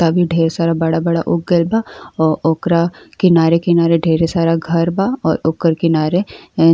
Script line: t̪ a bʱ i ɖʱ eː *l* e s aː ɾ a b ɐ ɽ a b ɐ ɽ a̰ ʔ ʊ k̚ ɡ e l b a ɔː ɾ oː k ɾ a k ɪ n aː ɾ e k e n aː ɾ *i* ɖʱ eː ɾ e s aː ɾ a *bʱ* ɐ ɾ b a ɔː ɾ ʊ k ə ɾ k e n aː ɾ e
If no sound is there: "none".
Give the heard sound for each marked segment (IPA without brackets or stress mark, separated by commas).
ɾ, e, ɡʱ